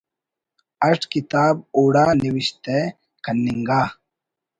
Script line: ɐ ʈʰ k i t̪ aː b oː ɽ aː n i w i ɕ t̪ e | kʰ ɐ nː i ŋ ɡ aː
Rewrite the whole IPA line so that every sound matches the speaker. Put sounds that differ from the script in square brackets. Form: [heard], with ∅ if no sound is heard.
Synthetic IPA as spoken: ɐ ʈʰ k i t̪ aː b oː ɽ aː n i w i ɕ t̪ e | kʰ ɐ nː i ŋ ɡ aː